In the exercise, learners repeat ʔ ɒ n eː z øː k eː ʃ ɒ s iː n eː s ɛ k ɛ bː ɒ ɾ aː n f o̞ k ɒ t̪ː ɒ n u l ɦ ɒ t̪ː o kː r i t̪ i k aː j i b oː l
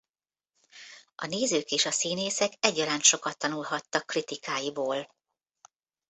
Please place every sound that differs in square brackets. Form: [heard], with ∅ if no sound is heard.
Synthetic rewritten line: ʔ ɒ n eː z øː k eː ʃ ɒ s iː n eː s ɛ k ɛ [ɟː] ɒ ɾ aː n [ʃ] o̞ k ɒ t̪ː ɒ n u l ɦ ɒ t̪ː [ɒ] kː r i t̪ i k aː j i b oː l